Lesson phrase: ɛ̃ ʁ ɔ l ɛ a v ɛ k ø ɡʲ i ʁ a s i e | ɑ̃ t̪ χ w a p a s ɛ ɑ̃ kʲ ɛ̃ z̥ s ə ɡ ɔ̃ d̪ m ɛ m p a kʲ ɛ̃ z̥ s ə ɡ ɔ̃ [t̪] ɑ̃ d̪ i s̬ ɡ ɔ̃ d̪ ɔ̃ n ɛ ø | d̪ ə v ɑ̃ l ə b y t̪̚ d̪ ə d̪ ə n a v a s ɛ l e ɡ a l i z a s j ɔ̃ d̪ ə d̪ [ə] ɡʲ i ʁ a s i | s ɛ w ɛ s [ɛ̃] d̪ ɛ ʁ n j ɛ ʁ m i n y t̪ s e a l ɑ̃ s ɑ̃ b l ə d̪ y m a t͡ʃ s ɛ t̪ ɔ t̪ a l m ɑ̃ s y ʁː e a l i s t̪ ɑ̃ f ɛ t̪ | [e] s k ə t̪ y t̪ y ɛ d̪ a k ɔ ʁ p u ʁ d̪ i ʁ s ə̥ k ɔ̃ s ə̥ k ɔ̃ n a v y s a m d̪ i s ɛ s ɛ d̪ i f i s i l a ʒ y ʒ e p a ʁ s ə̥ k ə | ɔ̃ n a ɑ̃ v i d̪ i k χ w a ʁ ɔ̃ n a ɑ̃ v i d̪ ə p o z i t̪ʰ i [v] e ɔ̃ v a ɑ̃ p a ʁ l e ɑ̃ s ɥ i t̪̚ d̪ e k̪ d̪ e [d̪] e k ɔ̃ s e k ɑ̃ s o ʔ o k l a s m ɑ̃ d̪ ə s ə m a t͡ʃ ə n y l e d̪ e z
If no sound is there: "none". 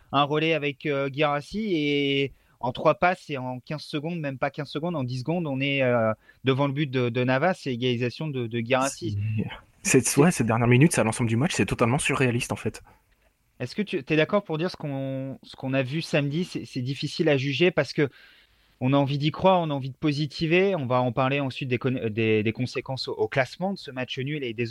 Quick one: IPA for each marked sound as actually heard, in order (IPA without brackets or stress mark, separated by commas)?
d̪, ə, ɛ, ɛ, v, d̪